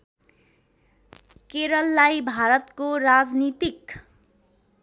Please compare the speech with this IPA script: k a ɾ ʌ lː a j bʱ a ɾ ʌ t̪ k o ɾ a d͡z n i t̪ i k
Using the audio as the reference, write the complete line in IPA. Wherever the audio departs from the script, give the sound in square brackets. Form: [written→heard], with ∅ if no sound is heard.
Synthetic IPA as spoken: k [a→e] ɾ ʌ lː a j bʱ a ɾ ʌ t̪ k o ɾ a d͡z n i t̪ i k